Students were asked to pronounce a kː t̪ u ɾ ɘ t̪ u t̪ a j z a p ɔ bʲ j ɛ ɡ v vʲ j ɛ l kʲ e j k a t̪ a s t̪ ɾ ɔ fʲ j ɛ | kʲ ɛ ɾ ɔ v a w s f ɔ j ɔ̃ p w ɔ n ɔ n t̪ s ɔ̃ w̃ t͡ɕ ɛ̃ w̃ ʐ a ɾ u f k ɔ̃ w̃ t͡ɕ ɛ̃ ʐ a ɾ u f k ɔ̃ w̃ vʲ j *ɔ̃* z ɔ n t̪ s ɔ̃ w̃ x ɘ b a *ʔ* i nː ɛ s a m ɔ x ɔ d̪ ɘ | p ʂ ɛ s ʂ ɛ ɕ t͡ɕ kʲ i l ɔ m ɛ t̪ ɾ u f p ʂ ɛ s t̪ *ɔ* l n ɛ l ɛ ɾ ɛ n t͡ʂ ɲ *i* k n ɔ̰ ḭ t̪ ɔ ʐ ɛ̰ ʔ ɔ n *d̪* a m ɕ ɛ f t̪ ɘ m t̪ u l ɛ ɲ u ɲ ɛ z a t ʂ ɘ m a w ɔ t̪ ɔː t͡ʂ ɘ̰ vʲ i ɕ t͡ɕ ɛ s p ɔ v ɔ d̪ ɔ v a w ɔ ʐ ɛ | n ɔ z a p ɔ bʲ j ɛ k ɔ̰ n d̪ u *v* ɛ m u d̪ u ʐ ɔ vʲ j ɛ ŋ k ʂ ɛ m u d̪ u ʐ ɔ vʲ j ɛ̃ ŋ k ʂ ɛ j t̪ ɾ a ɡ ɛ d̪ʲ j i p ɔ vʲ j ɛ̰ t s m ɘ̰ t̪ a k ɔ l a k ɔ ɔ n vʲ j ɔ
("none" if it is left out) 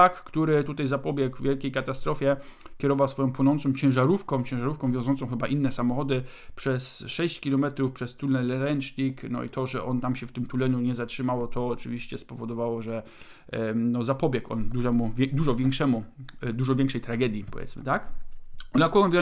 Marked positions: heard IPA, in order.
ɔ̃, ʔ, u, i, t̪, ʐ

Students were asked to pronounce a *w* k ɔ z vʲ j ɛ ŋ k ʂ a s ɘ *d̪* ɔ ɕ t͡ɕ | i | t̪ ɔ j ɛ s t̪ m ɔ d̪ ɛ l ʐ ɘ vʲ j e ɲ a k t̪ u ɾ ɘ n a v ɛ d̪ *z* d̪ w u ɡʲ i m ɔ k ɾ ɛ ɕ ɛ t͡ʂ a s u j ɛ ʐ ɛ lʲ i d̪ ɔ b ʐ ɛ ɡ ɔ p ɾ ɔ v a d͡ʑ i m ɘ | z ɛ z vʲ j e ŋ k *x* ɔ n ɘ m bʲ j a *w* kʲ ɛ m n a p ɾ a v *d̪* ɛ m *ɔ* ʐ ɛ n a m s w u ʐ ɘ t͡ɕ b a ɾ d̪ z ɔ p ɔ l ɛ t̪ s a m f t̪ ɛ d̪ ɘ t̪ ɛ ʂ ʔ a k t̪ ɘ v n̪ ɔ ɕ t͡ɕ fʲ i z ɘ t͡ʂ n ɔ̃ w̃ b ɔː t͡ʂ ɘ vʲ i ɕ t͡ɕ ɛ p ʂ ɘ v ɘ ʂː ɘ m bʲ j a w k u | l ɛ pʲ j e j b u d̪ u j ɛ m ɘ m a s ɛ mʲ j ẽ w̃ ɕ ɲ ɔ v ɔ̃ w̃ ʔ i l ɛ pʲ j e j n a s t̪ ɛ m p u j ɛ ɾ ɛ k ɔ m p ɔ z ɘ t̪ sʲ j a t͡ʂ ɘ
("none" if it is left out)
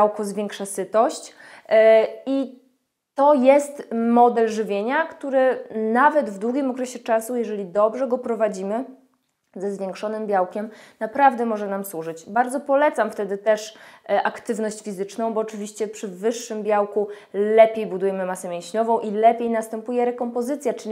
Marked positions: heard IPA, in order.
w, t̪, v, ʂ, w, d̪, ɔ

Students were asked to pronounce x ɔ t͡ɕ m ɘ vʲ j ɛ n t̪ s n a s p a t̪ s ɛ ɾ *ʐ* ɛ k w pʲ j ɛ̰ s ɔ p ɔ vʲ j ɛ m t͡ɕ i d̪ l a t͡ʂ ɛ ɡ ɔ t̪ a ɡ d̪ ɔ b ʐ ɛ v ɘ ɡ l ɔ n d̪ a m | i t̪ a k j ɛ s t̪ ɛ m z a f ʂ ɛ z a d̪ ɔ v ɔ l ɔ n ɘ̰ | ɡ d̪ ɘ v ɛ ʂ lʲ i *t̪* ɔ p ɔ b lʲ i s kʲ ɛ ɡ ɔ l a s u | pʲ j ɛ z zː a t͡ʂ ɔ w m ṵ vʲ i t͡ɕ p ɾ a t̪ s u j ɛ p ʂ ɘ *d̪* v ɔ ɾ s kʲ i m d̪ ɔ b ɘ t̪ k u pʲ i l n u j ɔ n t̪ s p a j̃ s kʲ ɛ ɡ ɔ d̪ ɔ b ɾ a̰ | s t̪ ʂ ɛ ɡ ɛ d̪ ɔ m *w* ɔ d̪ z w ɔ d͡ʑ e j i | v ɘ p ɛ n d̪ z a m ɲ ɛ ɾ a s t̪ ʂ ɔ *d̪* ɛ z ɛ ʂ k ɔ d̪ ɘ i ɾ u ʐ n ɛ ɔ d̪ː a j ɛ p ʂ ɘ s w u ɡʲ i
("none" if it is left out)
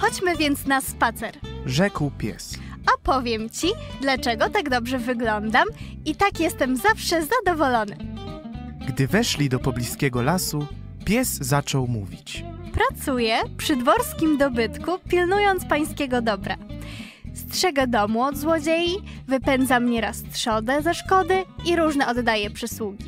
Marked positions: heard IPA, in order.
ʐ, d̪, d̪, u, d̪

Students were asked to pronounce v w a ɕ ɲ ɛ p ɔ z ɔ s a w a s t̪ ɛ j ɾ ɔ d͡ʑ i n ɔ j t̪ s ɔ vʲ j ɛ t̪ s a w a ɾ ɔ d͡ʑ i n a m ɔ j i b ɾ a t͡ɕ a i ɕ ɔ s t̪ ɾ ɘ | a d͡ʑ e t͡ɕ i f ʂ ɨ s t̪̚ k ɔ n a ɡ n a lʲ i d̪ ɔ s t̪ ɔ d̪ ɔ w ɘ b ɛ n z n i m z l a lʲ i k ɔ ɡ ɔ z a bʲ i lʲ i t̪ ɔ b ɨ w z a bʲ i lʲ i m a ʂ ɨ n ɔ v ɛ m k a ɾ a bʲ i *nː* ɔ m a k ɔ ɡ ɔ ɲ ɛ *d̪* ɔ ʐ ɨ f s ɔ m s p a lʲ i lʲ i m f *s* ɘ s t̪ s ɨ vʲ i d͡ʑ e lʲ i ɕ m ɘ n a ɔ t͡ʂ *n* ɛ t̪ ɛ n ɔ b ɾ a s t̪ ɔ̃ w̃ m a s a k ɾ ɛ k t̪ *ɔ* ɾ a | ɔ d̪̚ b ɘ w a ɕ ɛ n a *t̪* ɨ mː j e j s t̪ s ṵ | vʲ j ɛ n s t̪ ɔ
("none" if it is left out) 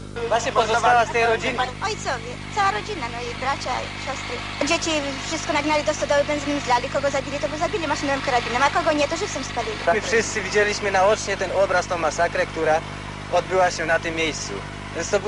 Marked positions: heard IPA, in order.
n, t̪, ʂ, ɲ, u, t̪

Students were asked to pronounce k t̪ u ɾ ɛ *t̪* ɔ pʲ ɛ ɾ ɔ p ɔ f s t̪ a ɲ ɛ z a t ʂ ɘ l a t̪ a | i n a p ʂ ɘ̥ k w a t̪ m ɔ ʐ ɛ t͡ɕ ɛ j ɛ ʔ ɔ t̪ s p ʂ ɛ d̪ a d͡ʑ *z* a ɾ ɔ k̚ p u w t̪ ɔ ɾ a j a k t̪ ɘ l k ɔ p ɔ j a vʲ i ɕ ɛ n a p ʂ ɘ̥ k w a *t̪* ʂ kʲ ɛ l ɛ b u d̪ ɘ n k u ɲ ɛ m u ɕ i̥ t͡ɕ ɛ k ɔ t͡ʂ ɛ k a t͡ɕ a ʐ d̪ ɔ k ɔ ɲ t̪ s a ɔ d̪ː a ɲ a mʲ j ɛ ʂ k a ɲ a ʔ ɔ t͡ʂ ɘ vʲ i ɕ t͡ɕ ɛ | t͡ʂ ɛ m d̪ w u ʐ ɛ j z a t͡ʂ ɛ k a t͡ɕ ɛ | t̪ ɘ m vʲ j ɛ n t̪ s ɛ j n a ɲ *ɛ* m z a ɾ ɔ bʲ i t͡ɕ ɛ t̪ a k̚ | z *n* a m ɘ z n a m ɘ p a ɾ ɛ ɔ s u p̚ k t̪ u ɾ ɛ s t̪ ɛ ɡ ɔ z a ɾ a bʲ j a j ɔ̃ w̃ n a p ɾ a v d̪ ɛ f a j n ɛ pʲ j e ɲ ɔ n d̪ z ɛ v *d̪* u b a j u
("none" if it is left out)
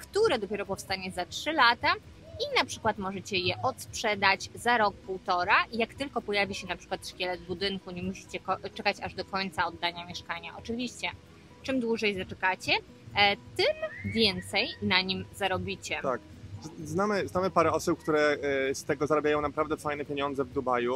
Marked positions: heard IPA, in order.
d̪, z, t̪, i, n, d̪

